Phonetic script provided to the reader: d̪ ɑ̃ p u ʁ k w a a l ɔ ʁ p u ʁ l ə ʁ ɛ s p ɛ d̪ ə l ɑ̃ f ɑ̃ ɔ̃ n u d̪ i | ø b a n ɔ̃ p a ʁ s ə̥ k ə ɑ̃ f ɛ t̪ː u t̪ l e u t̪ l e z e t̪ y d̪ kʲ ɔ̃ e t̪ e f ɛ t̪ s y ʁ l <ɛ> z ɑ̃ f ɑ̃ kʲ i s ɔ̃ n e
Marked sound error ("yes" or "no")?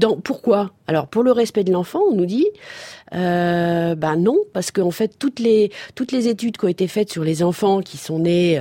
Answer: yes